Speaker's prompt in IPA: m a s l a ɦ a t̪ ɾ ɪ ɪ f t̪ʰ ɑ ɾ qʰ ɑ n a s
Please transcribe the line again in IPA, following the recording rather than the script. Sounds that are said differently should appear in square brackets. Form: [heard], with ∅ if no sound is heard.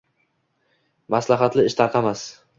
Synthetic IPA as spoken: m a s l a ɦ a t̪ [l] ɪ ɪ [ʃ] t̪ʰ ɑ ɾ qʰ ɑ [m] a s